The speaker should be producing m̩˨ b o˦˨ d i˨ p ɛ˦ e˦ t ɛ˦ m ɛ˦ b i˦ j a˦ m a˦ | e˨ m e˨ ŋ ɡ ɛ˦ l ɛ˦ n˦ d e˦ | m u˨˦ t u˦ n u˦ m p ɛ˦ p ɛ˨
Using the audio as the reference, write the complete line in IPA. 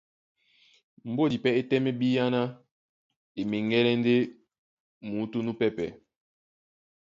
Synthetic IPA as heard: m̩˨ b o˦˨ d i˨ p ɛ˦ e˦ t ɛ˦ m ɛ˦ b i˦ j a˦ n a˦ | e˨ m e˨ ŋ ɡ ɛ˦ l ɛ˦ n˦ d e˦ | m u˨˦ t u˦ n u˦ p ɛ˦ p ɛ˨